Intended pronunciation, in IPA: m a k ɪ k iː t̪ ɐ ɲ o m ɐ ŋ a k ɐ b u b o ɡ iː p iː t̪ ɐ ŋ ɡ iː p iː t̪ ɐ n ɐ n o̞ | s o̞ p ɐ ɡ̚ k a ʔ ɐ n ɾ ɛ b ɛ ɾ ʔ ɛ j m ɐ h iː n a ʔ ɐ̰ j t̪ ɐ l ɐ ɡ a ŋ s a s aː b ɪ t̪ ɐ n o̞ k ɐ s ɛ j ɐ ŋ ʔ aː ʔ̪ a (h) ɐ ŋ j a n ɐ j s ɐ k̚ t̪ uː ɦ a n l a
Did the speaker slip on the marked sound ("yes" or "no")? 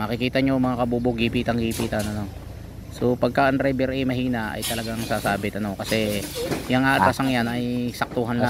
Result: yes